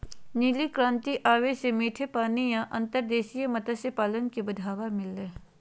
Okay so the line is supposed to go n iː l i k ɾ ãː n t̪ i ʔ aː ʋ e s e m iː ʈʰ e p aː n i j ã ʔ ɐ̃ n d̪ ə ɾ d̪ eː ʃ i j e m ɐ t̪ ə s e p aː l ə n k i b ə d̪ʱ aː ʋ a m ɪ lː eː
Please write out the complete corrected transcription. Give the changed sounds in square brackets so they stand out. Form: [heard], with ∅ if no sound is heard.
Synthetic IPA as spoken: n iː l i k ɾ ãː n t̪ i ʔ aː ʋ e s e m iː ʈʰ e p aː n i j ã ʔ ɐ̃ n [t̪] ə ɾ d̪ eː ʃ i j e m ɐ t̪ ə s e p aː l ə n k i b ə d̪ʱ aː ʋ a m ɪ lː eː

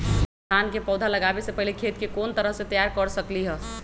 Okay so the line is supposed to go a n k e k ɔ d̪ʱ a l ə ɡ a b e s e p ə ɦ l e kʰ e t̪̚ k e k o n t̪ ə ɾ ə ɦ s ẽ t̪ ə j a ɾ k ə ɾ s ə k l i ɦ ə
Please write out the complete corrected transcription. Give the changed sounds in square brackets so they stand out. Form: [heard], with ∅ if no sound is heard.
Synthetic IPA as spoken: a n k e [p] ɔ d̪ʱ a l ə ɡ a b e s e p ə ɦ l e kʰ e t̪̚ k e k o n t̪ ə ɾ ə ɦ s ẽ t̪ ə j a ɾ k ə ɾ s ə k l i ɦ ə

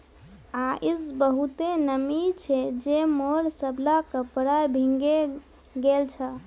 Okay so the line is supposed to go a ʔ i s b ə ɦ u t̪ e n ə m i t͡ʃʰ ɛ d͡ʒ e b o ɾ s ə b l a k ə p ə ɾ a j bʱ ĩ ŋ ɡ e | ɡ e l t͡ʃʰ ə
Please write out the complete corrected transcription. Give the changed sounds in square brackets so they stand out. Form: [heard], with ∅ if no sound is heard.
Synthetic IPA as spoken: a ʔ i s b ə ɦ u t̪ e n ə m i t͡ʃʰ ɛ d͡ʒ e [m] o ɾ s ə b l a k ə p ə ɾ a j bʱ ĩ ŋ ɡ e | ɡ e l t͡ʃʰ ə

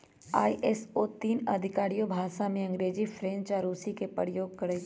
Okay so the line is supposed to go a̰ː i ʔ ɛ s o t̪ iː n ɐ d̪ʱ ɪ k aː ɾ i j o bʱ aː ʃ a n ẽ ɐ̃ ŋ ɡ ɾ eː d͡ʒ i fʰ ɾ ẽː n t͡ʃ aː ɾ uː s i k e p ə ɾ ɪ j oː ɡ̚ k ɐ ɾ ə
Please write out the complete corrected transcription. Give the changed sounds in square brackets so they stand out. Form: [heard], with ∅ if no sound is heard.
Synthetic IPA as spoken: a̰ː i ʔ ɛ s o t̪ iː n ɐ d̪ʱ ɪ k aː ɾ i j o bʱ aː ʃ a [m] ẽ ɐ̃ ŋ ɡ ɾ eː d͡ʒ i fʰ ɾ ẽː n t͡ʃ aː ɾ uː s i k e p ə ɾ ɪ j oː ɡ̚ k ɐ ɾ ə

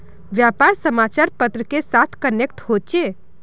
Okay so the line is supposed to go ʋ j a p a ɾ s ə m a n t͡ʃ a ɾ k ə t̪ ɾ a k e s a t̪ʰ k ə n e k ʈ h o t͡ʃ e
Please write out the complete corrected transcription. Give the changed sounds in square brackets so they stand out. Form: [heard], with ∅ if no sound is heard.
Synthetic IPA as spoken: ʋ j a p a ɾ s ə m a [∅] t͡ʃ a ɾ [p] ə t̪ ɾ [ə] k e s a t̪ʰ k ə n e k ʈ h o t͡ʃ e

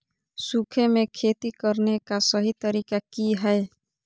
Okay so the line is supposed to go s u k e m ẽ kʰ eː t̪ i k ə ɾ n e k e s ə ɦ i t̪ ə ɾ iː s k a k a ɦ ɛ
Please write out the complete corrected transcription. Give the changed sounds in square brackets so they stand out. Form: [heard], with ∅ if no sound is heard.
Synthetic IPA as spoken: s u [kʰ] e m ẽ kʰ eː t̪ i k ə ɾ n e k [a] s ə ɦ i t̪ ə ɾ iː [∅] k a k [i] ɦ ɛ

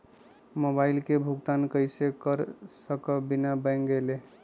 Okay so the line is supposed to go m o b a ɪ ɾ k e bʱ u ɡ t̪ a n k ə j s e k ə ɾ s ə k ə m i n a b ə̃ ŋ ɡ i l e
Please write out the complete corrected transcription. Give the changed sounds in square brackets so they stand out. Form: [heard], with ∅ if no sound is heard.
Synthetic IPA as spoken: m o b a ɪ [l] k e bʱ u ɡ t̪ a n k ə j s e k ə ɾ s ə k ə [b] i n a b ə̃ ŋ ɡ [e] l e

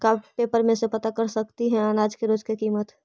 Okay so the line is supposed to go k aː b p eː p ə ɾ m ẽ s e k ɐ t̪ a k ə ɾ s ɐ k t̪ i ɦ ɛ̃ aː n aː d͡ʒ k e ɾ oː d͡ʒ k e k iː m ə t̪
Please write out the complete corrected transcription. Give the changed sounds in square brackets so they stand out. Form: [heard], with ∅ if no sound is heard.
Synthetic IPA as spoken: k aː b p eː p ə ɾ m ẽ s e [p] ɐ t̪ a k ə ɾ s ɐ k t̪ i ɦ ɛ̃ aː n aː d͡ʒ k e ɾ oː d͡ʒ k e k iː m ə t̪

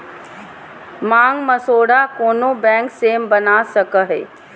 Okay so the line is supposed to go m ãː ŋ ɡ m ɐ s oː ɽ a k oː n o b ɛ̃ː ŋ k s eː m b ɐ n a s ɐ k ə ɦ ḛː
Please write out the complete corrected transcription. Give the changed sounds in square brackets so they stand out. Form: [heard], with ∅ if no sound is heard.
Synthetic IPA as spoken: m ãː ŋ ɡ m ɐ s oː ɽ a k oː n o b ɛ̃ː ŋ k s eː m b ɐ n a s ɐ k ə ɦ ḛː

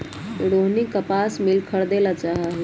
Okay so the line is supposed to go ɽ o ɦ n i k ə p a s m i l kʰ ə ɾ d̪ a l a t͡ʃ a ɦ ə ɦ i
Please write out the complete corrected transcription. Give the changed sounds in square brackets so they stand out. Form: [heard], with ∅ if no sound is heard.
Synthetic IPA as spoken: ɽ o ɦ n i k ə p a s m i l kʰ ə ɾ d̪ [e] l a t͡ʃ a ɦ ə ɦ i

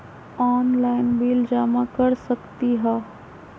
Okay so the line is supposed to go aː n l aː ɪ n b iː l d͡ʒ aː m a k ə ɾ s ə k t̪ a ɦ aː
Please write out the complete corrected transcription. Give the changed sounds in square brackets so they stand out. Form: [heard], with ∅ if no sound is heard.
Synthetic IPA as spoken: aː n l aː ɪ n b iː l d͡ʒ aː m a k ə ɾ s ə k t̪ [i] ɦ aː

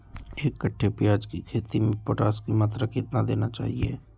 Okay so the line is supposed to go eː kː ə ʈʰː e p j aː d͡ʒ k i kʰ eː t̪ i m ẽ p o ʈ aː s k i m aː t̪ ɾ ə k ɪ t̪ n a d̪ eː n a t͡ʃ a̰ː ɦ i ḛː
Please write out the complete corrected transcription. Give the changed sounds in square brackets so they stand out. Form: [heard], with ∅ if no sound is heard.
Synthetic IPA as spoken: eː kː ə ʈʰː e p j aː d͡ʒ k i kʰ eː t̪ i m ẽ p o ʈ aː s k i m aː t̪ ɾ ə k ɪ t̪ n a d̪ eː n a t͡ʃ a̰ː ɦ i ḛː

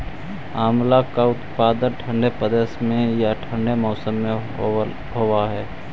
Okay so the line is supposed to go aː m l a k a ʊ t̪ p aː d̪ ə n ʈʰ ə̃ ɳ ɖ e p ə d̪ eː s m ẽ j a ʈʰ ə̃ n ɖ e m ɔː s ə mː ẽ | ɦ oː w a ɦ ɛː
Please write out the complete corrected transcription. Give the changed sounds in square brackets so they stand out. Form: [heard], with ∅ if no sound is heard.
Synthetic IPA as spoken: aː m l a k a ʊ t̪ p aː d̪ ə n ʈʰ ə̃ ɳ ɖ e p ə d̪ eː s m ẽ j a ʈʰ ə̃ [ɳ] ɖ e m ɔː s ə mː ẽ | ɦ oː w a ɦ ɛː

